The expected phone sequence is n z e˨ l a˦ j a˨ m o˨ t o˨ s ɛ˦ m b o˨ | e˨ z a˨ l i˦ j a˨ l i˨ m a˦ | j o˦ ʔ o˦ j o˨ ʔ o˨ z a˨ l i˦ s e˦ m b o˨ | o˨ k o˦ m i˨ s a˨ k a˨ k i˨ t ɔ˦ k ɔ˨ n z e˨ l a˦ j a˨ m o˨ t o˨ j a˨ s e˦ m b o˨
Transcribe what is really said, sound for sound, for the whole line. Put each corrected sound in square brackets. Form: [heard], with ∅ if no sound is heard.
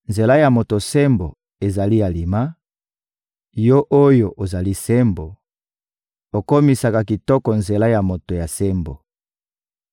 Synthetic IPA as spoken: n z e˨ l a˦ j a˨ m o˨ t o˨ s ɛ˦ m b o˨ | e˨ z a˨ l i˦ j a˨ l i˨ m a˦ | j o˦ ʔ o˦ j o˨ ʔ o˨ z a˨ l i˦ s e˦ m b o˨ | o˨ k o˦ m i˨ s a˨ k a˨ k i˨ t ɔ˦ k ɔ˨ n z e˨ l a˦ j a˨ m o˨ t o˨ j a˨ s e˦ m b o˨